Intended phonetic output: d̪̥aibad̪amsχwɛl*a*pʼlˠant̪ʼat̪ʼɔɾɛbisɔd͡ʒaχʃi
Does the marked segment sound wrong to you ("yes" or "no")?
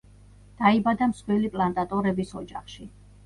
yes